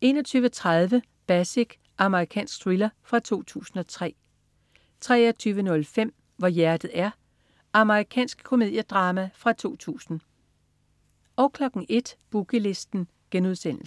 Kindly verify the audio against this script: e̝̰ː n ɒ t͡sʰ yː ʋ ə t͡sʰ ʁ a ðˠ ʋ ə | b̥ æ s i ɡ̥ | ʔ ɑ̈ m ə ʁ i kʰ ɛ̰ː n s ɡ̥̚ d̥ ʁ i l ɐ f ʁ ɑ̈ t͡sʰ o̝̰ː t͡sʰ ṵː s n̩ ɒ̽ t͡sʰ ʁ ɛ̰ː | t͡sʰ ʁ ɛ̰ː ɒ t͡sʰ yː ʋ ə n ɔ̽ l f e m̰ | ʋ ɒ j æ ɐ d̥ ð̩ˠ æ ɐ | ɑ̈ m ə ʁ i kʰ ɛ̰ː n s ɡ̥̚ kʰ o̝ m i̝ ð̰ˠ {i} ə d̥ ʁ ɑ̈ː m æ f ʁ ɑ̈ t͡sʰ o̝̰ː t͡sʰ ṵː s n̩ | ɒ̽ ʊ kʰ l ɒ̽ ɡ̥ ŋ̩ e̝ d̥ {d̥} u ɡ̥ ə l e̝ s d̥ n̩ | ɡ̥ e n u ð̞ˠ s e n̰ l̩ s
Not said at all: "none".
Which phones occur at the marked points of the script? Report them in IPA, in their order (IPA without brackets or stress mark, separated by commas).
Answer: j, b̥